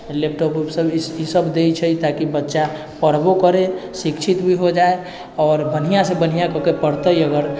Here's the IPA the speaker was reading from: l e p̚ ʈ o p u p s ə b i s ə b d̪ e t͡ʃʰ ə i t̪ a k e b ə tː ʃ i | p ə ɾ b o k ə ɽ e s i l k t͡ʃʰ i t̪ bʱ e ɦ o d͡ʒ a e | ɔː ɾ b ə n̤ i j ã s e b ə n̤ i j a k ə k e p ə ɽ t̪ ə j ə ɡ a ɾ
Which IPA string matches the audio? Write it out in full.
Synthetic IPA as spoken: l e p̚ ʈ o p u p s ə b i s ə b d̪ e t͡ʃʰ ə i t̪ a k i b ə tː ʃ a | p ə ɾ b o k ə ɾ e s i k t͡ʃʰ i t̪ bʱ i ɦ o d͡ʒ a e | ɔː ɾ b ə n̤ i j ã s e b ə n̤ i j a k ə k e p ə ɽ t̪ ə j ə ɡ ə ɾ

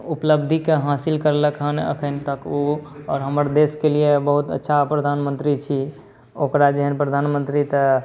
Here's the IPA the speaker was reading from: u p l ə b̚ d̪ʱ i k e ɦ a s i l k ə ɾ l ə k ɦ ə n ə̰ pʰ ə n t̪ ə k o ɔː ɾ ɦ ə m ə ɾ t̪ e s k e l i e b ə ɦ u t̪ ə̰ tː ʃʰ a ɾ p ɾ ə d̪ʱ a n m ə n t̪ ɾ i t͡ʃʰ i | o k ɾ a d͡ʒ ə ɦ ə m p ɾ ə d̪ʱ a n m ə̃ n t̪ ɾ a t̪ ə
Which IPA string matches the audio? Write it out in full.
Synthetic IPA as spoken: u p l ə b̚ d̪ʱ i k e ɦ a s i l k ə ɾ l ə k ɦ ə n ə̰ kʰ ə n t̪ ə k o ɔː ɾ ɦ ə m ə ɾ d̪ e s k e l i e b ə ɦ u t̪ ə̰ tː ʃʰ a p ɾ ə d̪ʱ a n m ə n t̪ ɾ i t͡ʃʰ i | o k ɾ a d͡ʒ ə ɦ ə n p ɾ ə d̪ʱ a n m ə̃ n t̪ ɾ i t̪ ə

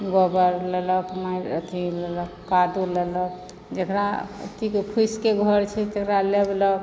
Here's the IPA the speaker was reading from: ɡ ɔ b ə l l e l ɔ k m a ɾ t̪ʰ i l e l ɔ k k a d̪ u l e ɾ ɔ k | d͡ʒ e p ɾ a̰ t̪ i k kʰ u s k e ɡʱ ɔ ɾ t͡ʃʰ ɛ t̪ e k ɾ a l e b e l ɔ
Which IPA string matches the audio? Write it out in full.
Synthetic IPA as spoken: ɡ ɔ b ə ɾ l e l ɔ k m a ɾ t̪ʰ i l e l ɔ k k a d̪ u l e l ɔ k | d͡ʒ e k ɾ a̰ t̪ i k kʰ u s k e ɡʱ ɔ ɾ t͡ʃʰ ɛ t̪ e k ɾ a l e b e l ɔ

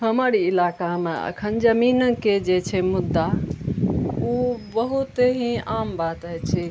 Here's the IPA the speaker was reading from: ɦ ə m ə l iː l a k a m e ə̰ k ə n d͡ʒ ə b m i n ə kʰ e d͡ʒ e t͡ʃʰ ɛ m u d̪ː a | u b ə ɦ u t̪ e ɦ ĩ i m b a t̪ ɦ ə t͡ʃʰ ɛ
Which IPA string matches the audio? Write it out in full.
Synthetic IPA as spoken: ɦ ə m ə ɾ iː l a k a m e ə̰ kʰ ə n d͡ʒ ə m i n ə k e d͡ʒ e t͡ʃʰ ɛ m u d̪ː a | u b ə ɦ u t̪ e ɦ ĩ a m b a t̪ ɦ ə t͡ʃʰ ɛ

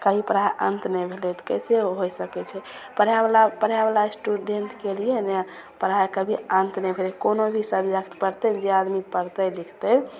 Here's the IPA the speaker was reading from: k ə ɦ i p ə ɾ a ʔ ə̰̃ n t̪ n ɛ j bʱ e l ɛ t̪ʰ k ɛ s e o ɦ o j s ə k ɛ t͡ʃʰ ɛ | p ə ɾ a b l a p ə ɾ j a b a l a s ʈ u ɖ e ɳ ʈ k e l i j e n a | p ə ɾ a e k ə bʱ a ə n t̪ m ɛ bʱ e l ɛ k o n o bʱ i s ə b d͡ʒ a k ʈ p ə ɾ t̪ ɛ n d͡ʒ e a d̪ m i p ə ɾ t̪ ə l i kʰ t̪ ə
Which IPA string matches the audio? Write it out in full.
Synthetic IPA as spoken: k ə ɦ i p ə ɾ a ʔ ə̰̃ n t̪ n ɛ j bʱ e l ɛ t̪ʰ k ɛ s e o ɦ o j s ə k ɛ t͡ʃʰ ɛ | p ə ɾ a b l a p ə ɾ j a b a l a s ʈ u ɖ e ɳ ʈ k e l i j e n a | p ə ɾ a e k ə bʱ i ə n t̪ n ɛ bʱ e l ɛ k o n o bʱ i s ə b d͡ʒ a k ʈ p ə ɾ t̪ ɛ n d͡ʒ e a d̪ m i p ə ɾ t̪ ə l i kʰ t̪ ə

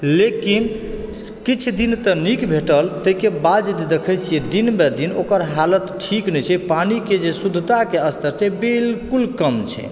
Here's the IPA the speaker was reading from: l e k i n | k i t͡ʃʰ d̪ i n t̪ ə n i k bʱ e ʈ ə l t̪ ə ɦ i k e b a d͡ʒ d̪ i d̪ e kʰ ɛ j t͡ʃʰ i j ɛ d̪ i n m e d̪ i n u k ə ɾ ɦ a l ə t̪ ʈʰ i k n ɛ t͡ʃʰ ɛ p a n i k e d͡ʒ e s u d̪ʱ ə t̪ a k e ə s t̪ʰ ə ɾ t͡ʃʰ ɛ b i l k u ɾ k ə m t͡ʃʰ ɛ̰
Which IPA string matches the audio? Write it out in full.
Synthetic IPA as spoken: l e k i n | k i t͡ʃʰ d̪ i n t̪ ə n i k bʱ e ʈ ə l t̪ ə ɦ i k e b a d͡ʒ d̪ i d̪ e kʰ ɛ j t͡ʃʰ i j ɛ d̪ i n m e d̪ i n o k ə ɾ ɦ a l ə t̪ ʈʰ i k n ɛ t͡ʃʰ ɛ p a n i k e d͡ʒ e s u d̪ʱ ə t̪ a k e ə s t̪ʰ ə ɾ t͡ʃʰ ɛ b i l k u l k ə m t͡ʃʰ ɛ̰

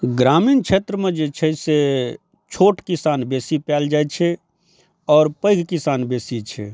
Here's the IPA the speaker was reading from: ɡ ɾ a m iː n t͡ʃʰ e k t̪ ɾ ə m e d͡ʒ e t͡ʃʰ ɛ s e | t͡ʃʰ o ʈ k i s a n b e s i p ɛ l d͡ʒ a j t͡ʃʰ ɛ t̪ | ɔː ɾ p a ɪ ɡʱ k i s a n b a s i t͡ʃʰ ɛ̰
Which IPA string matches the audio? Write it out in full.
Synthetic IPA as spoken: ɡ ɾ a m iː n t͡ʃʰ e t̪ ɾ ə m e d͡ʒ e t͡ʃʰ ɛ s e | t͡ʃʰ o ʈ k i s a n b e s i p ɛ l d͡ʒ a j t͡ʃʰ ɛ | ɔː ɾ p ə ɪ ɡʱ k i s a n b e s i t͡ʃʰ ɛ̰

